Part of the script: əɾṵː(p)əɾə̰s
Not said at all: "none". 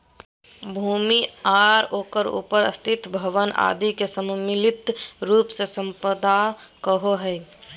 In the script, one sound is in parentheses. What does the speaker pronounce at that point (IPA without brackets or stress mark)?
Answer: p